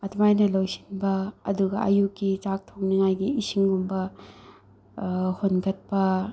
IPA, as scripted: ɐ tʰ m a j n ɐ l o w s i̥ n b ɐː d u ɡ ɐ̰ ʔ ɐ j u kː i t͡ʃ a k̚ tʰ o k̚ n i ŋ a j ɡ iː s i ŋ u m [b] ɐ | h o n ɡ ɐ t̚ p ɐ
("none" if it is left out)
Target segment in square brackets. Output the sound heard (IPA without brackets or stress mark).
b